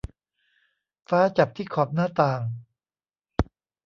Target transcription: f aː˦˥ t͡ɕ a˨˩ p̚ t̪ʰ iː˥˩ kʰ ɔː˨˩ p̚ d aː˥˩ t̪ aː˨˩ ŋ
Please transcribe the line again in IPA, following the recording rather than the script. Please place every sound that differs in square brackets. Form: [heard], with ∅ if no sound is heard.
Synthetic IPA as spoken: f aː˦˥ t͡ɕ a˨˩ p̚ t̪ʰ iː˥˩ kʰ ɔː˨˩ p̚ [n] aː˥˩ t̪ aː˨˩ ŋ